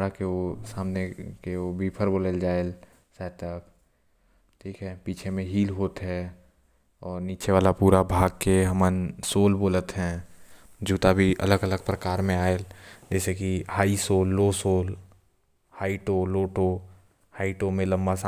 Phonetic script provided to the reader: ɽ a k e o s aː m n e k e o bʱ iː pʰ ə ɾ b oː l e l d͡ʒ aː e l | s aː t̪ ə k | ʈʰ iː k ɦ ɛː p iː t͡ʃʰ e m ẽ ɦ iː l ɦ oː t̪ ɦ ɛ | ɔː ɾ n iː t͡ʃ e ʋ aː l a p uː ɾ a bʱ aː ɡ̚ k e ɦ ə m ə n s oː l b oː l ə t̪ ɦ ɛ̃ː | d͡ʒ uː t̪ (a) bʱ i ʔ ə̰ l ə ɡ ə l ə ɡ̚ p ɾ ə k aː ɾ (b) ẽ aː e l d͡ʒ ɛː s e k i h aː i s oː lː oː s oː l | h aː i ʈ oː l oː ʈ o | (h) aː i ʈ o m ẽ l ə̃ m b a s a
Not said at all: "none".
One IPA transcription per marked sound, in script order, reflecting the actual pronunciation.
a, m, h

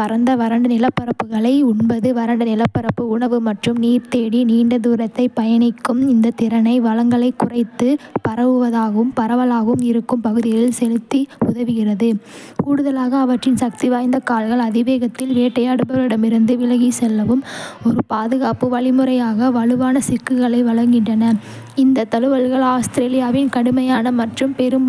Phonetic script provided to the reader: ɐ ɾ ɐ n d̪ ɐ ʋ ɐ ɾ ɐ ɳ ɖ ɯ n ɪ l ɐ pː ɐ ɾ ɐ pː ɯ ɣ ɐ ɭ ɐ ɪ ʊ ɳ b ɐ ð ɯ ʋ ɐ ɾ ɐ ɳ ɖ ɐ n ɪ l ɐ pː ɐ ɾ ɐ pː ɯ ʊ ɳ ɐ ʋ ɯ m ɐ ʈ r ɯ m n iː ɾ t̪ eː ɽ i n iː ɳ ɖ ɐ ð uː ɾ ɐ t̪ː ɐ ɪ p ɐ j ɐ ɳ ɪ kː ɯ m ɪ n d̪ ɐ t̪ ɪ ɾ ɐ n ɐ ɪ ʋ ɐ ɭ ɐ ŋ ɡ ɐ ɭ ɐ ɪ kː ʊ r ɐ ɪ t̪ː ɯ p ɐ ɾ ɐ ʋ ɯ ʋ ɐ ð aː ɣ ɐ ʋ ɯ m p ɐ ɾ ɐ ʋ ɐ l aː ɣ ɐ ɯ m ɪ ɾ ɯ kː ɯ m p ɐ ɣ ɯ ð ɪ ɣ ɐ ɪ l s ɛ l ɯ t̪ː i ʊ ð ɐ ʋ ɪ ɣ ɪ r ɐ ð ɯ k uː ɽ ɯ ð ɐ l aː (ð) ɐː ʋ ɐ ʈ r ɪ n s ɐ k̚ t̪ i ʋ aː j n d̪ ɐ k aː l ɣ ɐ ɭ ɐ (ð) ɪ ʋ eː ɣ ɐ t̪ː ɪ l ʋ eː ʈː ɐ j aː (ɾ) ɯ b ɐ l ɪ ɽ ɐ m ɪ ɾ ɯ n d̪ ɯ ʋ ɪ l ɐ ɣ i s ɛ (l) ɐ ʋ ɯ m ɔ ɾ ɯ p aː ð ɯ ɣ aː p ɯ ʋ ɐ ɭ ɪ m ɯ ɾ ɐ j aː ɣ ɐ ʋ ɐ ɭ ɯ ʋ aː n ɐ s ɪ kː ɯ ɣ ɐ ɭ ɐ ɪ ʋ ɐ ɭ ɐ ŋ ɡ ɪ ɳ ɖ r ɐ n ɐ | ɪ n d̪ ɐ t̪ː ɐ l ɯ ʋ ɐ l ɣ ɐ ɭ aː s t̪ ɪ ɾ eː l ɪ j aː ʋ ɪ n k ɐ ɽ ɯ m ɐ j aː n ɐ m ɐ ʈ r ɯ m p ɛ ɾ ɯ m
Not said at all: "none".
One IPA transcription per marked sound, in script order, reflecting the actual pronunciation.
ɣ, ð, ɽ, lː

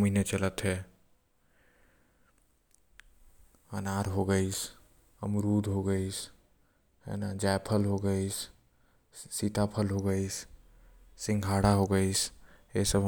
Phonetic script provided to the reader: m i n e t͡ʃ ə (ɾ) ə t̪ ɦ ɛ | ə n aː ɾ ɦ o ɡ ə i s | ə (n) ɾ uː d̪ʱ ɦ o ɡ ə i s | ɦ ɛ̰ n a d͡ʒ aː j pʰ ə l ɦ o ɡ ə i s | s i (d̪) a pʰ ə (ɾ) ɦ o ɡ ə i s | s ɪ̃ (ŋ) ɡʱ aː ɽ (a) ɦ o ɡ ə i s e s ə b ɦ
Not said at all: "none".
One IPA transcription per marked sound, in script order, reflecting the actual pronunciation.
l, m, t̪, l, ŋ, a

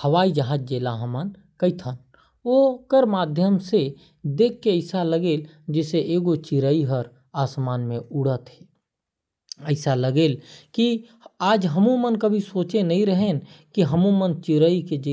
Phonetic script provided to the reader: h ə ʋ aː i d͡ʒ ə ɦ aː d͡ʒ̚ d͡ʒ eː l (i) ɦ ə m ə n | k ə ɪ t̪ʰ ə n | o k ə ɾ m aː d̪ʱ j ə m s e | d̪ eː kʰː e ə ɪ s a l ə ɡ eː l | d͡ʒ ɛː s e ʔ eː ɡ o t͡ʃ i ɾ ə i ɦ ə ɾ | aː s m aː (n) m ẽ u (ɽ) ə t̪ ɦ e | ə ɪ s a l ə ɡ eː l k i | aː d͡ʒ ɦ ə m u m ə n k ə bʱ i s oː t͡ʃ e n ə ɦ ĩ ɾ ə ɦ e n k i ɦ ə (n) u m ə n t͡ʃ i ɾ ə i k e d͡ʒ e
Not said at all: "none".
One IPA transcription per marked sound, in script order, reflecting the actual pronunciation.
a, n, ɽ, m

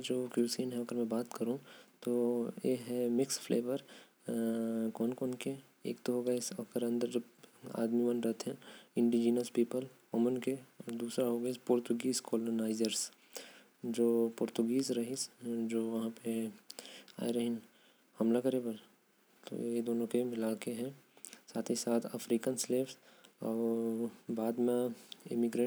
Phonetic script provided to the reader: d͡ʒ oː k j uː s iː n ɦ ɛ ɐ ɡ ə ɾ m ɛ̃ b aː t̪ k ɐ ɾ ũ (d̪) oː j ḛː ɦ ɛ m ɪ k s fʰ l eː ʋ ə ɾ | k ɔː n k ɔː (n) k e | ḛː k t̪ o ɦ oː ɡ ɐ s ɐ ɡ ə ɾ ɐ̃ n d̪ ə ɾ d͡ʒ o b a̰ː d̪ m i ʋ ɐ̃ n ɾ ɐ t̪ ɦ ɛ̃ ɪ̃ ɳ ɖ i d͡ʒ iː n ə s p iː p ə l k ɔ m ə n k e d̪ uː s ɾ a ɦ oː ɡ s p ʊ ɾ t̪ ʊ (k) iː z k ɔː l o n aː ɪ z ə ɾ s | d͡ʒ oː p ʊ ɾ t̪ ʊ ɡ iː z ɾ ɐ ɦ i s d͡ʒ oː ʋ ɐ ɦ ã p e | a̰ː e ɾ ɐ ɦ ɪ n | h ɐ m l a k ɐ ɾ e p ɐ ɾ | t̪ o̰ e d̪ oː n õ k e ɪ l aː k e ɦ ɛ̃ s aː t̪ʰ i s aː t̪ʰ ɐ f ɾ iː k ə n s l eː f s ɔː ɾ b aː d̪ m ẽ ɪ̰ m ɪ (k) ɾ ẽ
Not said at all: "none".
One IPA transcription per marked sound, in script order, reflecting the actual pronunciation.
t̪, n, ɡ, ɡ

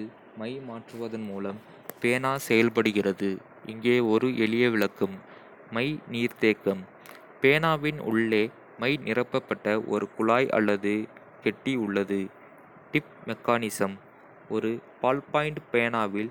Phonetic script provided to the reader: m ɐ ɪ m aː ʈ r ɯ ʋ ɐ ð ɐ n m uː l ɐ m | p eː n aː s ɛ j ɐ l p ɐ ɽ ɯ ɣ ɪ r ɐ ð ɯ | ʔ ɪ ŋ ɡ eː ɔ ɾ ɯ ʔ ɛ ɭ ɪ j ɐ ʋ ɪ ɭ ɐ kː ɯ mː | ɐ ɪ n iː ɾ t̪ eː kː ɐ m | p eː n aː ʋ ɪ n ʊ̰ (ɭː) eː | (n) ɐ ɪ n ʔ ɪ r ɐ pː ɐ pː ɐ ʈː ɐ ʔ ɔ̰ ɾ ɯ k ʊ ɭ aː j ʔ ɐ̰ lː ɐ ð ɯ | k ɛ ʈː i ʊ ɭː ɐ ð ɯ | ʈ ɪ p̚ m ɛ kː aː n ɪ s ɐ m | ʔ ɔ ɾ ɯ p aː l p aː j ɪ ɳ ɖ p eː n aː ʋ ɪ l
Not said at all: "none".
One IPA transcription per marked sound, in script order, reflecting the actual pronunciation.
ɭː, m

